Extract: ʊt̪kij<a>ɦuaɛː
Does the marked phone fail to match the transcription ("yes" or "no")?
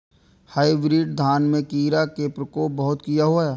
no